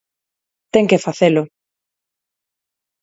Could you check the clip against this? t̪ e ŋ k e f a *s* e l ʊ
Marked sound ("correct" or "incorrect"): incorrect